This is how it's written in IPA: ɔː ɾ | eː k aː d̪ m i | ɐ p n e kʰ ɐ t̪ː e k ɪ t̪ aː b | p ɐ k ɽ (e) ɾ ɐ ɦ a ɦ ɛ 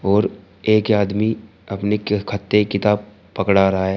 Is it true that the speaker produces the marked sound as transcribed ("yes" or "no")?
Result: no